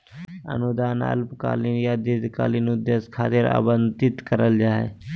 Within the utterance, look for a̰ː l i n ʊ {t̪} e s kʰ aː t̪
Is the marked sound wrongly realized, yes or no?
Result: yes